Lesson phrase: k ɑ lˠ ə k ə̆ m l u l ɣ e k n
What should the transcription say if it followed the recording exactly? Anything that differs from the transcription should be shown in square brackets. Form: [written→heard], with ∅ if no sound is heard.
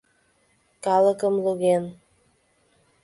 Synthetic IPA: k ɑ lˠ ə k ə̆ m l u [l→∅] ɣ e [k→∅] n